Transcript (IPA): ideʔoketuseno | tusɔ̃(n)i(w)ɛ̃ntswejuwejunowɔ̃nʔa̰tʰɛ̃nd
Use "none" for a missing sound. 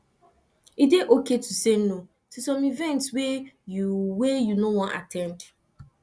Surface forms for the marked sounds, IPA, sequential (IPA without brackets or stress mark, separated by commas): m, v